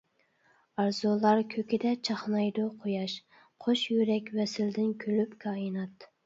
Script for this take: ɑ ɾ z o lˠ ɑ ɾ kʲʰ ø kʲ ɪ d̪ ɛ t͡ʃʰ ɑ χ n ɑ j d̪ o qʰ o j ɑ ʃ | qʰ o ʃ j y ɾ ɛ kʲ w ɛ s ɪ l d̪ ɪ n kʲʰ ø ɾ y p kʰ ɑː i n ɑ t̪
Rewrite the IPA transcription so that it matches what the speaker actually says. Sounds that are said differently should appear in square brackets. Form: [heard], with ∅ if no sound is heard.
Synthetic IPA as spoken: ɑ ɾ z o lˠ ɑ ɾ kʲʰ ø kʲ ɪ d̪ ɛ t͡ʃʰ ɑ χ n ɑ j d̪ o qʰ o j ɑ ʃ | qʰ o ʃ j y ɾ ɛ kʲ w ɛ s ɪ l d̪ ɪ n kʲʰ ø [l] y p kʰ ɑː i n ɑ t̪

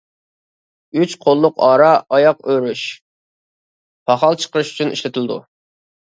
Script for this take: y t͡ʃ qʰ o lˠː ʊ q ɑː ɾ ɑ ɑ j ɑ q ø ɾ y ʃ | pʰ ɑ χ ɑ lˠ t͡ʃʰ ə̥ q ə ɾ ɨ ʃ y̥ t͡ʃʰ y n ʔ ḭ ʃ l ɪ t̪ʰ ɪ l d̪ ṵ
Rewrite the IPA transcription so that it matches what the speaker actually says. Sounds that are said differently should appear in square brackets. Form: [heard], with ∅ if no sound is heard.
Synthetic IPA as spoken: y t͡ʃ qʰ o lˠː ʊ q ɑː ɾ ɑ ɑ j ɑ q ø ɾ y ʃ | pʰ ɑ χ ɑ lˠ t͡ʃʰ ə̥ q ə ɾ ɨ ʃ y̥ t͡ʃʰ y n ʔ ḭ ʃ l ɪ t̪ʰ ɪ l d̪ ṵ

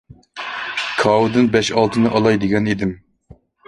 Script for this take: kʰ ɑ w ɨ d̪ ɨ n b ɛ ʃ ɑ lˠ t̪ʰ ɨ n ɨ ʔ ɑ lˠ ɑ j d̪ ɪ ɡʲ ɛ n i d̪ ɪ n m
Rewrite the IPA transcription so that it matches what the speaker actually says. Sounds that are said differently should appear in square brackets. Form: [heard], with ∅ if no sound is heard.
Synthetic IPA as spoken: kʰ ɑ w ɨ d̪ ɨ n b ɛ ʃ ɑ lˠ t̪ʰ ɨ n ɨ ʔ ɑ lˠ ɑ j d̪ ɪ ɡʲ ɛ n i d̪ ɪ [∅] m

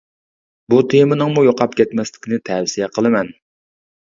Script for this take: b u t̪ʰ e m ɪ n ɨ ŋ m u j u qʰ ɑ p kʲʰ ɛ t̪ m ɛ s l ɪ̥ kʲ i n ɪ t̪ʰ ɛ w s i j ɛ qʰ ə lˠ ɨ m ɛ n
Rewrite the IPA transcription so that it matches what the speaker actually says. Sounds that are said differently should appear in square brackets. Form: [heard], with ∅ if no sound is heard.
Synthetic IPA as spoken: b u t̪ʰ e m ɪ n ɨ ŋ m u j [o] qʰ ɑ p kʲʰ ɛ t̪ m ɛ s l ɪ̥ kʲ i n ɪ t̪ʰ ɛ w s i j ɛ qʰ ə lˠ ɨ m ɛ n

